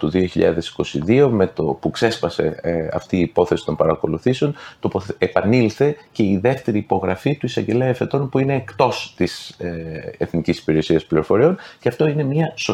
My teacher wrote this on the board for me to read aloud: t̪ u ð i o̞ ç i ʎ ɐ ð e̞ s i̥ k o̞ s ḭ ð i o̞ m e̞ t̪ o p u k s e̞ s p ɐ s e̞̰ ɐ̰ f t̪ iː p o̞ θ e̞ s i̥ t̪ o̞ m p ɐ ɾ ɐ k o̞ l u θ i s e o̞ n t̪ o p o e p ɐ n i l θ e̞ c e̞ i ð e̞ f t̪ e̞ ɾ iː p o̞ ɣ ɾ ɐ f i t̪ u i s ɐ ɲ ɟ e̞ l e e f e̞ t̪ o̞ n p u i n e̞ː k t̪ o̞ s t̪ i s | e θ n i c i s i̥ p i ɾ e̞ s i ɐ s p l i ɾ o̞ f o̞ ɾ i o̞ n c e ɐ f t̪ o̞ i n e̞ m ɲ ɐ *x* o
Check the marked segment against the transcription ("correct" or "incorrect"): incorrect